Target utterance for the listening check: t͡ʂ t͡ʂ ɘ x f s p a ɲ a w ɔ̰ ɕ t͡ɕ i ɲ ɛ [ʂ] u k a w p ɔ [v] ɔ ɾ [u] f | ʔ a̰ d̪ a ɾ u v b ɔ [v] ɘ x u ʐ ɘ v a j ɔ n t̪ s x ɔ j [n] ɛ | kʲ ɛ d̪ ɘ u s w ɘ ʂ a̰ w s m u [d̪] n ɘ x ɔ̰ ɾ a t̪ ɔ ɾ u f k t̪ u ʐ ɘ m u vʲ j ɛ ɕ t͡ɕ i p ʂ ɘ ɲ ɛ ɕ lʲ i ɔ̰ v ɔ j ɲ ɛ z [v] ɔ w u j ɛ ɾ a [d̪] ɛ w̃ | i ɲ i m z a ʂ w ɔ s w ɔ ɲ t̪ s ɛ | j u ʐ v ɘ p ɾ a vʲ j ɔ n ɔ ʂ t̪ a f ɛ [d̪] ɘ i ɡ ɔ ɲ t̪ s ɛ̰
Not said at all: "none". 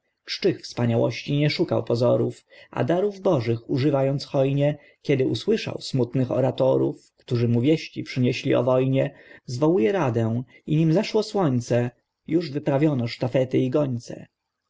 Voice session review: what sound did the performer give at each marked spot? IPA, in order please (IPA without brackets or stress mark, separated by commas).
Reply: ʂ, z, u, ʐ, ɲ, t̪, v, d̪, t̪